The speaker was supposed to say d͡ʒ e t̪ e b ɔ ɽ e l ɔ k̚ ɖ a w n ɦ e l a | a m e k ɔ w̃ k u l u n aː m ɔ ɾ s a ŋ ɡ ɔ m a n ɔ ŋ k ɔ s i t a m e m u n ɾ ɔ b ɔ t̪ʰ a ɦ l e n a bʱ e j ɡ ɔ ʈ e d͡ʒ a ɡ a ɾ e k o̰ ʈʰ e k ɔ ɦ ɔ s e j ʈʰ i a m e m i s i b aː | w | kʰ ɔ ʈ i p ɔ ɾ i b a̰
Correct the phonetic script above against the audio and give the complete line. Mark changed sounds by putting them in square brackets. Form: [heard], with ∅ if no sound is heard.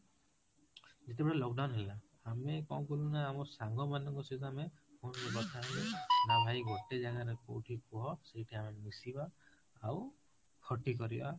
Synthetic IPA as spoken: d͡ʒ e t̪ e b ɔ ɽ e l ɔ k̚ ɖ a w n ɦ e l a | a m e k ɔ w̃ k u l u n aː m ɔ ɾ s a ŋ ɡ ɔ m a n ɔ ŋ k ɔ s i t a m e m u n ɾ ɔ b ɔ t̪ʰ a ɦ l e n a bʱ [a] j ɡ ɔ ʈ e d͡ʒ a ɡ a ɾ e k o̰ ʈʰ [i] k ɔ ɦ ɔ s e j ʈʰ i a m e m i s i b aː | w | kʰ ɔ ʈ i [k] ɔ ɾ i b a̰